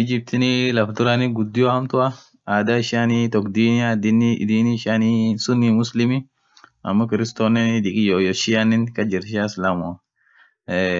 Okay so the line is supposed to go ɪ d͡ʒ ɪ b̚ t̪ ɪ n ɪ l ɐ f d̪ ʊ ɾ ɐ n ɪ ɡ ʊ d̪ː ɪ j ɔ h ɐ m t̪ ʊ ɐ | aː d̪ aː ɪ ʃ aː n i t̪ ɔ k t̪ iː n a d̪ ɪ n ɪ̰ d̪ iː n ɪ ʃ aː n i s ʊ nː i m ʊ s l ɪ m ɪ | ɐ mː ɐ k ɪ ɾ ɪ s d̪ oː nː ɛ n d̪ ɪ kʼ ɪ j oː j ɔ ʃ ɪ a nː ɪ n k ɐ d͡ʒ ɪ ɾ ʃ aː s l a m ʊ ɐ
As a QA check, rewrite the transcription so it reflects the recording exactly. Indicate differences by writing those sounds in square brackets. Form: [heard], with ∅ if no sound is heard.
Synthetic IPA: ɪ d͡ʒ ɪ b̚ t̪ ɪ n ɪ l ɐ f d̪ ʊ ɾ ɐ n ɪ ɡ ʊ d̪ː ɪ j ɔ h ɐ m t̪ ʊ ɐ | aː d̪ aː ɪ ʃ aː n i t̪ ɔ k [d̪] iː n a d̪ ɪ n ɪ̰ d̪ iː n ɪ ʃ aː n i s ʊ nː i m ʊ s l ɪ m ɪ | ɐ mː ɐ k ɪ ɾ ɪ s [t̪] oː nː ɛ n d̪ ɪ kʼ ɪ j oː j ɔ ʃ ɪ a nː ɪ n k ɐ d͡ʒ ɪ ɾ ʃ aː s l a m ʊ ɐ